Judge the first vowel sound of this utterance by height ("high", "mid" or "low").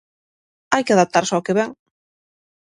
low